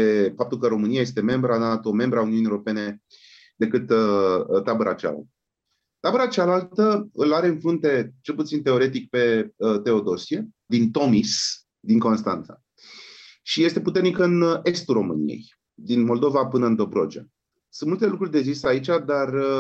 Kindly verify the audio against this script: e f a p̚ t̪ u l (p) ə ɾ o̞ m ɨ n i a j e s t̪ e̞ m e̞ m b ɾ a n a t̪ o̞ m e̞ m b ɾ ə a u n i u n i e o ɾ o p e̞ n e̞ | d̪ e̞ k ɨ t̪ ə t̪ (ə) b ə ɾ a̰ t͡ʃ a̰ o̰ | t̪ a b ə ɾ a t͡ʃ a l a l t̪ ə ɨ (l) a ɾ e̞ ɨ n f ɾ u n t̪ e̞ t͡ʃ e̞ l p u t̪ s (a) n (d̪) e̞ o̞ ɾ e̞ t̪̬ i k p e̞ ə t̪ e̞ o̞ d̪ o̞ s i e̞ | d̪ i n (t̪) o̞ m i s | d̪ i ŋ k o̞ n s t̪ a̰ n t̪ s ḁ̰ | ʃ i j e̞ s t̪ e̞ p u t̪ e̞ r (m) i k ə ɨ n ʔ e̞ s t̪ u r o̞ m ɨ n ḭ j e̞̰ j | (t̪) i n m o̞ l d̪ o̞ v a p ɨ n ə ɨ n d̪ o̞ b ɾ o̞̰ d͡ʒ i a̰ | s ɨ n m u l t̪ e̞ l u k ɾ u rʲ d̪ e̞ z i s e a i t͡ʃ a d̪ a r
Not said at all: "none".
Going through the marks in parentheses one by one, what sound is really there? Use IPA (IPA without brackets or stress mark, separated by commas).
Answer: k, a, l, i, t̪, t̪, n, d̪